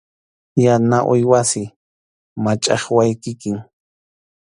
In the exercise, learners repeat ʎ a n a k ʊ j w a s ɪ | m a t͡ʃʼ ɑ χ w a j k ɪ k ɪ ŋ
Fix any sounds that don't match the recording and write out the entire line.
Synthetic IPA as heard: j a n a ʔ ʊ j w a s ɪ | m a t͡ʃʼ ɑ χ w a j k ɪ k ɪ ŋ